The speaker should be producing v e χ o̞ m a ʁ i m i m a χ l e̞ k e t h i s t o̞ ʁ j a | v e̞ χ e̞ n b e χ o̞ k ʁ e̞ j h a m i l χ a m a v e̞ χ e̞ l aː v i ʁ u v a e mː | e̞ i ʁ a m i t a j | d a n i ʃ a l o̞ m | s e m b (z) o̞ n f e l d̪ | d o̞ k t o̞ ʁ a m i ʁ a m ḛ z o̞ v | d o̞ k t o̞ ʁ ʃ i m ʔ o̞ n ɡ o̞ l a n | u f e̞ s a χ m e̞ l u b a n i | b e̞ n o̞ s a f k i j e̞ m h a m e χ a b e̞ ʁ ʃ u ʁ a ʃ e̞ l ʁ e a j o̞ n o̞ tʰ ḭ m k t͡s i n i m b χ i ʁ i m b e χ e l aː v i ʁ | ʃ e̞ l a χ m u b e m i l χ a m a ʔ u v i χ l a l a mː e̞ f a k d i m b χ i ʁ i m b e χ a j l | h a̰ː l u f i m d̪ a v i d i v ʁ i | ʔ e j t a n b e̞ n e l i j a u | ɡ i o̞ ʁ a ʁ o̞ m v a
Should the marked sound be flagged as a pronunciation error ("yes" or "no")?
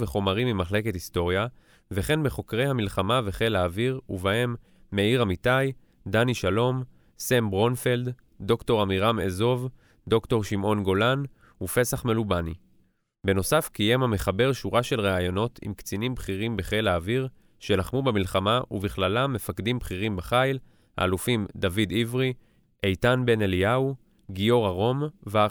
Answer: yes